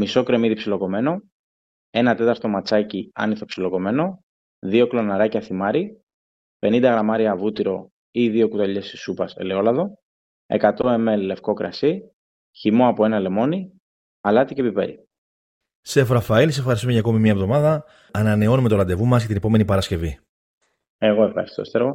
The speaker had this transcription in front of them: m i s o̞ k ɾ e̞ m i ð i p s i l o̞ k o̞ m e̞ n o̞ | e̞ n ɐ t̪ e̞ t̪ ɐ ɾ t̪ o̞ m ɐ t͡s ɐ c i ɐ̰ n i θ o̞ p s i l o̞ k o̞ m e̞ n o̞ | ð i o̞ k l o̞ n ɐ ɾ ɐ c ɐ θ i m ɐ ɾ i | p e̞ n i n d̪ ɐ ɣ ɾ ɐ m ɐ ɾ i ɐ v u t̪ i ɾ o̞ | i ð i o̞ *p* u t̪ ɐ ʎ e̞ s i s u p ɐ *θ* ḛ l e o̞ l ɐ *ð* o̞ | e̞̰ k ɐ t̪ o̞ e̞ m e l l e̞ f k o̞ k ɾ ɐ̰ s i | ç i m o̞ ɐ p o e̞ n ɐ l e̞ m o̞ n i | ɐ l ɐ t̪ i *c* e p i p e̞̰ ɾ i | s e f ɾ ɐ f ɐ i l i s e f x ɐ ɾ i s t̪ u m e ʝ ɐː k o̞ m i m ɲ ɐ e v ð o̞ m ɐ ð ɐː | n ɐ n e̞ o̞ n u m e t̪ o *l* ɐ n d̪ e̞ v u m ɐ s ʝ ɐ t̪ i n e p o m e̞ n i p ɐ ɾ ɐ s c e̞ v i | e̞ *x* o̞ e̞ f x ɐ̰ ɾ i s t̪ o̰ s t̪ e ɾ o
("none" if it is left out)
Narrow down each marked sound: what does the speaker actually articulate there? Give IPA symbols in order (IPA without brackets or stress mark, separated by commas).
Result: k, s, ð, c, l, ɣ